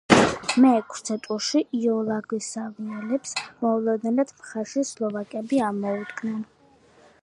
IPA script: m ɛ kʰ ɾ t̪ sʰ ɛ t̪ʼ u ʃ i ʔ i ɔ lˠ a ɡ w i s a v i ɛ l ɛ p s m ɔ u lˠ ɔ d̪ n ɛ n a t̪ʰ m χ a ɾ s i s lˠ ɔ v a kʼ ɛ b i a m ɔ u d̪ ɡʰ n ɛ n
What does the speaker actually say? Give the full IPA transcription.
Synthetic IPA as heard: m ɛ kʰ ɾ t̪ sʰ ɛ t̪ʼ u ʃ i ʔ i ɔ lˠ a ɡ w i s a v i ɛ l ɛ p s m ɔ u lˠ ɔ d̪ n ɛ n a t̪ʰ m χ a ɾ ʃ i s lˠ ɔ v a kʼ ɛ b i a m ɔ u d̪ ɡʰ n ɛ n

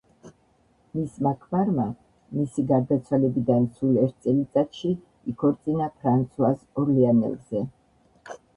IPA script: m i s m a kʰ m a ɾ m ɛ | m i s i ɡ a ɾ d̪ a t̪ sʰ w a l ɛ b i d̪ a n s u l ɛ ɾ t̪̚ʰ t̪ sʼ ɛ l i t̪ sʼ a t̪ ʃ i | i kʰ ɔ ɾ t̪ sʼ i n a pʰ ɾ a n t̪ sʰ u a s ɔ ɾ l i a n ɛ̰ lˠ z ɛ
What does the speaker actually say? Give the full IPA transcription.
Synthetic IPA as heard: m i s m a kʰ m a ɾ m a | m i s i ɡ a ɾ d̪ a t̪ sʰ w a l ɛ b i d̪ a n s u l ɛ ɾ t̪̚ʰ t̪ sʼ ɛ l i t̪ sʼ a t̪ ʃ i | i kʰ ɔ ɾ t̪ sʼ i n a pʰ ɾ a n t̪ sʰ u a s ɔ ɾ l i a n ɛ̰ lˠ z ɛ

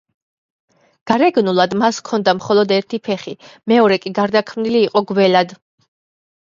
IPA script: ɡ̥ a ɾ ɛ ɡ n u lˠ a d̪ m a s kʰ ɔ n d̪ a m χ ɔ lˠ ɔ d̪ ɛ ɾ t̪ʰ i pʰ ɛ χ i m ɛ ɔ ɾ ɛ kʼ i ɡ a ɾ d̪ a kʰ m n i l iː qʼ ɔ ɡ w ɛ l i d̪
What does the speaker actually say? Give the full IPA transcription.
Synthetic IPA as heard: ɡ̥ a ɾ ɛ ɡ n u lˠ a d̪ m a s kʰ ɔ n d̪ a m χ ɔ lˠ ɔ d̪ ɛ ɾ t̪ʰ i pʰ ɛ χ i m ɛ ɔ ɾ ɛ kʼ i ɡ a ɾ d̪ a kʰ m n i l iː qʼ ɔ ɡ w ɛ l a d̪

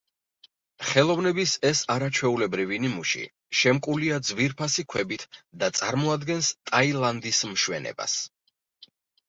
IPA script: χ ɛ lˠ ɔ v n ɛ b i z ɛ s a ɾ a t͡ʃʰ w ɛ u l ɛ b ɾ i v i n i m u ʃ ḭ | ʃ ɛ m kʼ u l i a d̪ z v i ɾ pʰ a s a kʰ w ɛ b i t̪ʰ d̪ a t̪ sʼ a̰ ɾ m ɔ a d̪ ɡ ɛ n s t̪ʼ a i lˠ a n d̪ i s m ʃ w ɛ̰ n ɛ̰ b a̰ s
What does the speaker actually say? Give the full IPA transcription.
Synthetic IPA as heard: χ ɛ lˠ ɔ v n ɛ b i s ɛ s a ɾ a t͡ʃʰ w ɛ u l ɛ b ɾ i v i n i m u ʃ ḭ | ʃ ɛ m kʼ u l i a d̪ z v i ɾ pʰ a s i kʰ w ɛ b i t̪ʰ d̪ a t̪ sʼ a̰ ɾ m ɔ a d̪ ɡ ɛ n s t̪ʼ a i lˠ a n d̪ i s m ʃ w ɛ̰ n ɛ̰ b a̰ s

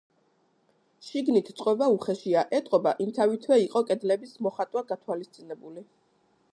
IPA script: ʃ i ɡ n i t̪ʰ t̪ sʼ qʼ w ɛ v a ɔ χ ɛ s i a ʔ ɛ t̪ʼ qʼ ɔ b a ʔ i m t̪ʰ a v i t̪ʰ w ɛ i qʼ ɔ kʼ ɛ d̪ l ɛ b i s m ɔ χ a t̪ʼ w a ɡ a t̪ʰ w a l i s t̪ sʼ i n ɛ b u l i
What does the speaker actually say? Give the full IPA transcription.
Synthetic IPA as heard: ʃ i ɡ n i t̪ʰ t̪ sʼ qʼ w ɛ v a u χ ɛ ʃ i a ʔ ɛ t̪ʼ qʼ ɔ b a ʔ i m t̪ʰ a v i t̪ʰ w ɛ i qʼ ɔ kʼ ɛ d̪ l ɛ b i s m ɔ χ a t̪ʼ w a ɡ a t̪ʰ w a l i s t̪ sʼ i n ɛ b u l i

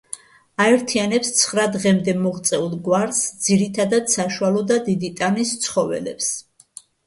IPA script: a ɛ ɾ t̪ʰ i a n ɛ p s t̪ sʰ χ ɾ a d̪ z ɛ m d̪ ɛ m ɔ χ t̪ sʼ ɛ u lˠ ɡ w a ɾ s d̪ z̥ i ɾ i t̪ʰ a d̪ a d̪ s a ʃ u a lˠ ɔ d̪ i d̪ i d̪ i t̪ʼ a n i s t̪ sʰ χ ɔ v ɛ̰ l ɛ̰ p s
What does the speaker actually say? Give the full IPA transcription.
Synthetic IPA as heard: a ɛ ɾ t̪ʰ i a n ɛ p s t̪ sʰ χ ɾ a d̪ ʁ ɛ m d̪ ɛ m ɔ ʁ t̪ sʼ ɛ u lˠ ɡ w a ɾ s d̪ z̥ i ɾ i t̪ʰ a d̪ a d̪ s a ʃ u a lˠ ɔ d̪ a d̪ i d̪ i t̪ʼ a n i s t̪ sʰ χ ɔ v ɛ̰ l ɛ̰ p s

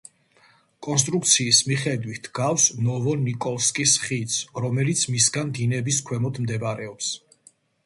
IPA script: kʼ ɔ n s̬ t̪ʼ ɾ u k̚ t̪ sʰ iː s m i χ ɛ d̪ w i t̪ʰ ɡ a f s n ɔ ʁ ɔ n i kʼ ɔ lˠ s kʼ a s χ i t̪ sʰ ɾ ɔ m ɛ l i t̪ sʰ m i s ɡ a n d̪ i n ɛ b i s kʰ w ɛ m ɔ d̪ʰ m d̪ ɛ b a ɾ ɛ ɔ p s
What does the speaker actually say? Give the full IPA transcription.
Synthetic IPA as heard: kʼ ɔ n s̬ t̪ʼ ɾ u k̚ t̪ sʰ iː s m i χ ɛ d̪ w i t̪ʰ ɡ a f s n ɔ v ɔ n i kʼ ɔ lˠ s kʼ i s χ i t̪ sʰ ɾ ɔ m ɛ l i t̪ sʰ m i s ɡ a n d̪ i n ɛ b i s kʰ w ɛ m ɔ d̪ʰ m d̪ ɛ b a ɾ ɛ ɔ p s

